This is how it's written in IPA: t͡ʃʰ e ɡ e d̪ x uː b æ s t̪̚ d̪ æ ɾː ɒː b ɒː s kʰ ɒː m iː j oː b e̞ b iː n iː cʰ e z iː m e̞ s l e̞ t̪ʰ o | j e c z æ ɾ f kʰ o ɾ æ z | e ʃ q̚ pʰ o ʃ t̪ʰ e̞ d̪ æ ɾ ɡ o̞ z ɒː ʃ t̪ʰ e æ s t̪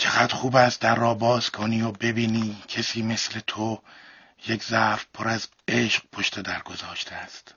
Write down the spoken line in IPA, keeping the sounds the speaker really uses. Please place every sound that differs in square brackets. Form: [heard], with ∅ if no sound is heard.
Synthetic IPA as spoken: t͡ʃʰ e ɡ [æ] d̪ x uː b æ s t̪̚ d̪ æ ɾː ɒː b ɒː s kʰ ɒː [n] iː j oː b e̞ b iː n iː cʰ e [s] iː m e̞ s l e̞ t̪ʰ o | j e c z æ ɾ f [pʰ] o ɾ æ z | e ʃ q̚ pʰ o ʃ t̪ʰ e̞ d̪ æ ɾ ɡ o̞ z ɒː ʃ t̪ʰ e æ s t̪